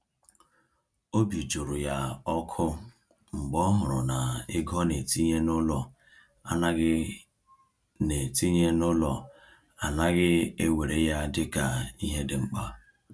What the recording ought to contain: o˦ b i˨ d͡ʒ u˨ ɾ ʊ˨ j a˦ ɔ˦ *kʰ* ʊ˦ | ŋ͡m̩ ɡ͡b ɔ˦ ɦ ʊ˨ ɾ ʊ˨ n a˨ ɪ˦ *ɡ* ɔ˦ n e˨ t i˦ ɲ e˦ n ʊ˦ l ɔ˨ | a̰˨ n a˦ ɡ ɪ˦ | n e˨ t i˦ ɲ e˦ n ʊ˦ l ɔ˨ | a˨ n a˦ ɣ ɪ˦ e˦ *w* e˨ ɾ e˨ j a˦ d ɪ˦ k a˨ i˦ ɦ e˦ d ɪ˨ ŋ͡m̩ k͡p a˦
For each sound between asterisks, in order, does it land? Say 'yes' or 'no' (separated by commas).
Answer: yes, yes, yes